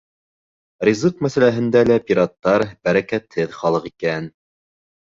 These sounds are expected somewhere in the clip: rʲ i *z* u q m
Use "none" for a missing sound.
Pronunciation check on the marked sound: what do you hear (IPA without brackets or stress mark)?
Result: z